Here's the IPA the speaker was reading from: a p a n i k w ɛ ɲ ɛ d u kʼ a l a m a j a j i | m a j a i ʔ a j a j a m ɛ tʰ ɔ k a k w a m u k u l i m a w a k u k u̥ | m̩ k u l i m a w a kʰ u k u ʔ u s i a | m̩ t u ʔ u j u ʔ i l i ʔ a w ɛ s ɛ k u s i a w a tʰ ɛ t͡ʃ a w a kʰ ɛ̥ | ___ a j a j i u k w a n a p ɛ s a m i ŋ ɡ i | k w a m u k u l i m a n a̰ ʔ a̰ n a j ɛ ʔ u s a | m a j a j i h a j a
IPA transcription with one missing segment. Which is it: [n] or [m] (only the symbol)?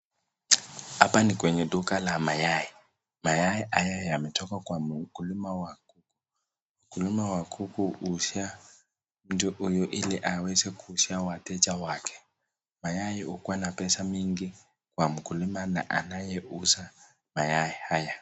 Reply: m